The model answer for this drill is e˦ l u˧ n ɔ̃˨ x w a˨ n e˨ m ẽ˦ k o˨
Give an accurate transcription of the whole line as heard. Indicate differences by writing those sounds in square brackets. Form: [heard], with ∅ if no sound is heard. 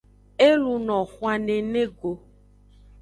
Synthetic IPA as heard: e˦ l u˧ n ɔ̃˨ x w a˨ n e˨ [n] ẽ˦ [ɡ] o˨